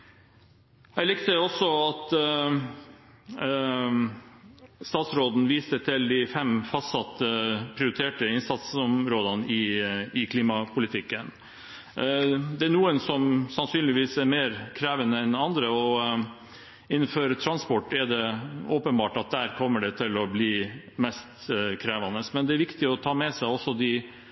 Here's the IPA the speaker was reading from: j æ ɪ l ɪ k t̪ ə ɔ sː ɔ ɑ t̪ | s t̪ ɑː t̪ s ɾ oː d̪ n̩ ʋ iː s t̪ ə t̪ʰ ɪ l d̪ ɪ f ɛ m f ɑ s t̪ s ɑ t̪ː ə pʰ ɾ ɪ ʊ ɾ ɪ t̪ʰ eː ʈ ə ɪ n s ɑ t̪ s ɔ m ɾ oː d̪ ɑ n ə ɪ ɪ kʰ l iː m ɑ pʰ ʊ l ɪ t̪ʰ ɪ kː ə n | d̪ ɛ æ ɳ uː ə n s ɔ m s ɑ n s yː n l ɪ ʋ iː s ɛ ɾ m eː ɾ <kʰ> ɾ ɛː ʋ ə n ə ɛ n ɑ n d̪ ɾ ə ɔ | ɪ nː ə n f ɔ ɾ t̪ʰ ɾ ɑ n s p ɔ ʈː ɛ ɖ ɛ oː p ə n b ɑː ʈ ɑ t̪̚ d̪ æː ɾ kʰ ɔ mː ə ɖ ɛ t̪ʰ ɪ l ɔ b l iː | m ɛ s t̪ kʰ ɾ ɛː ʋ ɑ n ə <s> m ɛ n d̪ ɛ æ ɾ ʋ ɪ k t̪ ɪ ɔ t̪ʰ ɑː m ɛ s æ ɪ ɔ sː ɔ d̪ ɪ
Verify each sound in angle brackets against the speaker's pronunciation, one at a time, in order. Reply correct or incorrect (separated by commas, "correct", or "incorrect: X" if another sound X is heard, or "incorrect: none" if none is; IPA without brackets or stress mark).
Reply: correct, correct